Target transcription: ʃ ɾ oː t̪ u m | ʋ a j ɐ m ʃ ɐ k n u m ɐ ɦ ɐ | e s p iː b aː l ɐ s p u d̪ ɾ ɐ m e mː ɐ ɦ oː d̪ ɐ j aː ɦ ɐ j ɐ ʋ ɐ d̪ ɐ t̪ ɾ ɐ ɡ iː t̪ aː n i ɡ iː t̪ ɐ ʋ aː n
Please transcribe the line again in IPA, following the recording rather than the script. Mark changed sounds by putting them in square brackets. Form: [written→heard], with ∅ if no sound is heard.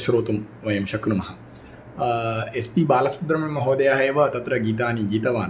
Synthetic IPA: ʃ ɾ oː t̪ u m | ʋ [a→ɐ] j ɐ m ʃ ɐ k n u m ɐ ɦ ɐ | e s p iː b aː l ɐ s p u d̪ ɾ ɐ m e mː ɐ ɦ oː d̪ ɐ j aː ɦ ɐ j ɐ ʋ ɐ [d̪→t̪] ɐ t̪ ɾ ɐ ɡ iː t̪ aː n i ɡ iː t̪ ɐ ʋ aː n